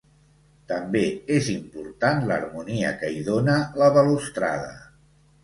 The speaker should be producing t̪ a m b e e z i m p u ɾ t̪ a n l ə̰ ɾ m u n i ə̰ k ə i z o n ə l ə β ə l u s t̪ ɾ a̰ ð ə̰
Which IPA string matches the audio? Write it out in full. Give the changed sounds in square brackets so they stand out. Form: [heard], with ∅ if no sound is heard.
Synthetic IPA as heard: t̪ [ə] m b e e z i m p u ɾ t̪ a n l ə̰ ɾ m u n i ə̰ k ə i [ð] o n ə l ə β ə l u s t̪ ɾ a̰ ð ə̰